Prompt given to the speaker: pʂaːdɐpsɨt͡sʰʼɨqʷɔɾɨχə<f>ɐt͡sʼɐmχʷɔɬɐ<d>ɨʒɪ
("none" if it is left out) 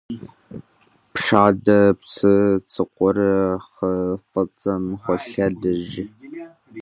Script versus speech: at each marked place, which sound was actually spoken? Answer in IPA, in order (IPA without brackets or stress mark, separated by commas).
f, d